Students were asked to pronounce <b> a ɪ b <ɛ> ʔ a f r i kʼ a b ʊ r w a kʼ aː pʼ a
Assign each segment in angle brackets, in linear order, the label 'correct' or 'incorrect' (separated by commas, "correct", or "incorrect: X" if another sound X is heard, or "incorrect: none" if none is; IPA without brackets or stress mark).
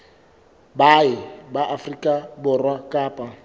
correct, incorrect: a